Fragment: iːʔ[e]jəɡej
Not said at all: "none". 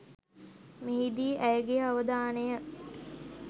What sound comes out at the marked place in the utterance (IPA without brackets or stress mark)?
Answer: æ